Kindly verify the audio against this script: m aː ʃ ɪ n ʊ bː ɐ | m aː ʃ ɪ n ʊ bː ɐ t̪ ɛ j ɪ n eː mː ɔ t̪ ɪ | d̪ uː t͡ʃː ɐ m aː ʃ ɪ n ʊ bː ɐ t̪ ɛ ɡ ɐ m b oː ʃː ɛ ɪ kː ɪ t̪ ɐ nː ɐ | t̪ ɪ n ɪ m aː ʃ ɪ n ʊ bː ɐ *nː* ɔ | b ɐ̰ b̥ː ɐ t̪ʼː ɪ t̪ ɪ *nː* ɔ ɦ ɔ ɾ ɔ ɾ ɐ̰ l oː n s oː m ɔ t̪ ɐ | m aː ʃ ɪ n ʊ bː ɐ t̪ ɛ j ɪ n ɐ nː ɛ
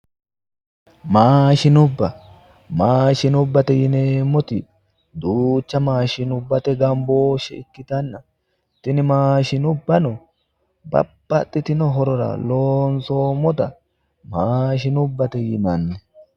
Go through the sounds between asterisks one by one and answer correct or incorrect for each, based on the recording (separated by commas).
incorrect, incorrect